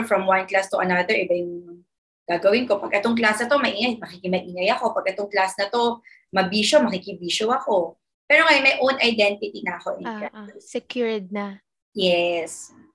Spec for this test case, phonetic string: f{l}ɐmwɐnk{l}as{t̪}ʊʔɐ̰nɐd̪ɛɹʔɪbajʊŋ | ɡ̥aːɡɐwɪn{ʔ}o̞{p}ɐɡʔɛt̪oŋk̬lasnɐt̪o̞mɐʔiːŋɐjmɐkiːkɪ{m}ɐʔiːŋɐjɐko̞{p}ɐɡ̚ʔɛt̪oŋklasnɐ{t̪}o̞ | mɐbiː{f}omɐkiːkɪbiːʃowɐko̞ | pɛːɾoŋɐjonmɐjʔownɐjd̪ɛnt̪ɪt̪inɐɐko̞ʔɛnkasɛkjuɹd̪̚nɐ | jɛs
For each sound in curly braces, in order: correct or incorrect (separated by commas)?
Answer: incorrect, correct, correct, incorrect, correct, correct, correct, correct, incorrect